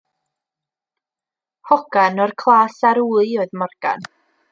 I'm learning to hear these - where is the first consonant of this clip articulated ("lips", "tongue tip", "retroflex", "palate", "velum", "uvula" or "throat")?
throat